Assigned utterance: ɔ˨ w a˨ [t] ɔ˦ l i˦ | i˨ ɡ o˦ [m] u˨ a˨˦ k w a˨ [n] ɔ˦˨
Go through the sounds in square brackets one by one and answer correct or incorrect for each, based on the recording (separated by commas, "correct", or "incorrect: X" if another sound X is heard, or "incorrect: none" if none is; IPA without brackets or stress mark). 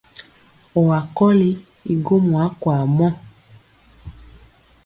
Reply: incorrect: k, correct, incorrect: m